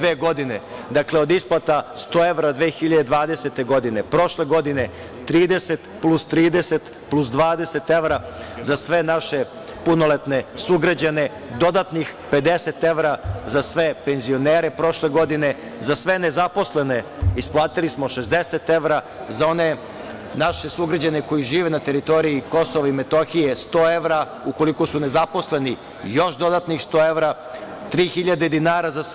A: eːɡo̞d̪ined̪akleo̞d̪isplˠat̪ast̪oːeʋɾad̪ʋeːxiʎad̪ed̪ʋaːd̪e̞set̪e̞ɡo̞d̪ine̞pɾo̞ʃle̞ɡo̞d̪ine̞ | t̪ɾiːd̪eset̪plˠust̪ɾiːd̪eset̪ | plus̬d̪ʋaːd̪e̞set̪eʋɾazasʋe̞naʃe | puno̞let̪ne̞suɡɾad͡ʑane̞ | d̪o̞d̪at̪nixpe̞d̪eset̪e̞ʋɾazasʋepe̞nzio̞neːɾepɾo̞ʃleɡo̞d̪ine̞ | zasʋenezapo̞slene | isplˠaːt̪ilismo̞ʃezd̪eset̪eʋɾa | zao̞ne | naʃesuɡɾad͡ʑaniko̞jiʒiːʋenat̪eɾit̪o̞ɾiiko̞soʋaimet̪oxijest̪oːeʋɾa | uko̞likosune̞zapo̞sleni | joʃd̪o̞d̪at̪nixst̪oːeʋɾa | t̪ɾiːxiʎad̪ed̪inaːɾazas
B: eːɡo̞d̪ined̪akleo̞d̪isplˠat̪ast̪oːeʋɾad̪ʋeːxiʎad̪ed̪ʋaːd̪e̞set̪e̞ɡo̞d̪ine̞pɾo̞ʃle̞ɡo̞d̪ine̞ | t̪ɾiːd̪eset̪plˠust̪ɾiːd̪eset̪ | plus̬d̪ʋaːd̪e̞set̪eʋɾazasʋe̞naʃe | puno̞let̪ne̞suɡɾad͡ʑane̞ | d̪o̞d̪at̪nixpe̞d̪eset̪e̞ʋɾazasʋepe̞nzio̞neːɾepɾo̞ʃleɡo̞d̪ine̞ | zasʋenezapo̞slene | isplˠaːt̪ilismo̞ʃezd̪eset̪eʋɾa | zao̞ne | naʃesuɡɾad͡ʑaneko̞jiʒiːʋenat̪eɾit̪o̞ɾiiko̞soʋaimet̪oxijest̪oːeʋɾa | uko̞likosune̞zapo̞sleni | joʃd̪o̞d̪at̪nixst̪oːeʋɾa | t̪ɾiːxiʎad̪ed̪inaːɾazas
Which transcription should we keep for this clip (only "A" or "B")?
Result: B